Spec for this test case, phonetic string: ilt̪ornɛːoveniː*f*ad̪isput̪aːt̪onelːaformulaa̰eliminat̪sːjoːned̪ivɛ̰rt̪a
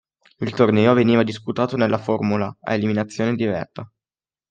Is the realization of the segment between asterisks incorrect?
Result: yes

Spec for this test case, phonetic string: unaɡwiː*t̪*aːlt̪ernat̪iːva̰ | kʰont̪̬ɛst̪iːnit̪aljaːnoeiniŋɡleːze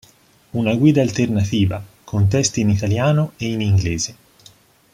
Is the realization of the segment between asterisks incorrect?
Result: yes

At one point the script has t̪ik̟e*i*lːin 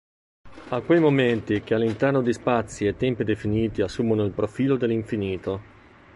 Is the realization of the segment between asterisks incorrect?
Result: yes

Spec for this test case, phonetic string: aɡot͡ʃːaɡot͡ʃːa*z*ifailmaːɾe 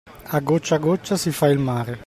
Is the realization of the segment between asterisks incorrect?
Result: yes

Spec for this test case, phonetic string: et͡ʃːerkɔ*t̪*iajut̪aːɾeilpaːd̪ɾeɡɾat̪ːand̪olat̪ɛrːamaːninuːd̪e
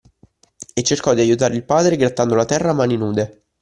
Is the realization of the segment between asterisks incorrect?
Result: yes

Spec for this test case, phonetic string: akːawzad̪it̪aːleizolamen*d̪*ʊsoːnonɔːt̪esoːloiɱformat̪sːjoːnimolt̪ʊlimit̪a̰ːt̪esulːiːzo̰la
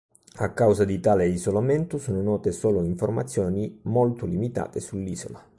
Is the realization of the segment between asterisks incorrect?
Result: yes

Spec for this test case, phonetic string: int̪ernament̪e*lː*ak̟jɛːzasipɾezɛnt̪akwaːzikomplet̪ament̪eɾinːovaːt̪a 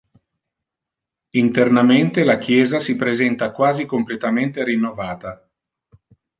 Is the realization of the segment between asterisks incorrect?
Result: yes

